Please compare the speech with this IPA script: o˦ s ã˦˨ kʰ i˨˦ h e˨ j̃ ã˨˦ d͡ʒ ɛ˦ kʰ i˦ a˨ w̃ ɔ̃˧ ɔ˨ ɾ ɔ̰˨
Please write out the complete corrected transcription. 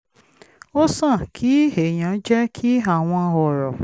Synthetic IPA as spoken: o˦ s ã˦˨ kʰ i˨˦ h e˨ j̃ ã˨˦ d͡ʒ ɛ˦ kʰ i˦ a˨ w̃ ɔ̃˧ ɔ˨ ɾ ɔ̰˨